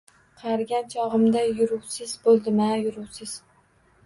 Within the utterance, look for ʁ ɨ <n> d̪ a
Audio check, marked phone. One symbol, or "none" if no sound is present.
m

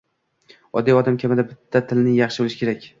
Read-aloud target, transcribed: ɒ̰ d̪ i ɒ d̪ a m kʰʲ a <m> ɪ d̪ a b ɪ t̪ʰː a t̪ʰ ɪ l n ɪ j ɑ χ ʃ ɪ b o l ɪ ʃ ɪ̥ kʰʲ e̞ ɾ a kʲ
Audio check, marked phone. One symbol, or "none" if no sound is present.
m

